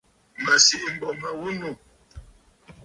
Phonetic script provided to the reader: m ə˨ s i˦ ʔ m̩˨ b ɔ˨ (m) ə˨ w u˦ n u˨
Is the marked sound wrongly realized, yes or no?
no